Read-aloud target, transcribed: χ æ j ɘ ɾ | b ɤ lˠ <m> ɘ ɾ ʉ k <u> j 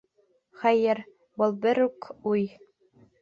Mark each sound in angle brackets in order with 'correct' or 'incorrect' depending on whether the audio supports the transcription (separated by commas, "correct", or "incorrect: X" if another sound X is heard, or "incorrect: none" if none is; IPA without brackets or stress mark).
incorrect: b, correct